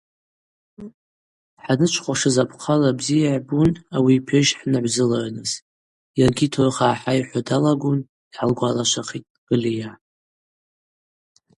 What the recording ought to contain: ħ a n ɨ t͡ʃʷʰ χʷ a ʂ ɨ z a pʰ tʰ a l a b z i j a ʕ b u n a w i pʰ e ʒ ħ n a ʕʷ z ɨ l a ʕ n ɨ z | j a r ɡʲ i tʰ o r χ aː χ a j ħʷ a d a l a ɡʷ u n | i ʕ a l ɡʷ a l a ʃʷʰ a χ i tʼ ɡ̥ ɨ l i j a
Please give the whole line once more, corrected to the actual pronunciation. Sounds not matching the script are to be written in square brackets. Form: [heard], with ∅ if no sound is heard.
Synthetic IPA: ħ a n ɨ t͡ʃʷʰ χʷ a ʂ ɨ z a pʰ [qʰ] a l a b z i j a ʕ b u n a w i pʰ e ʒ ħ n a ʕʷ z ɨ l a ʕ n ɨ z | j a r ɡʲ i tʰ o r χ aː [ħ] a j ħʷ a d a l a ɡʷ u n | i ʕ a l ɡʷ a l a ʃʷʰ a χ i tʼ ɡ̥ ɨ l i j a